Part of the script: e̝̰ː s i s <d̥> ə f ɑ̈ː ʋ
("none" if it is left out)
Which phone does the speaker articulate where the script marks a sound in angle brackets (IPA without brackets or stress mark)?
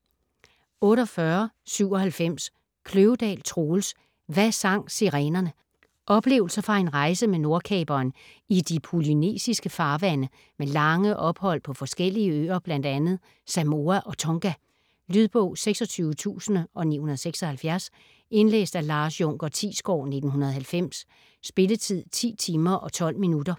ɡ̥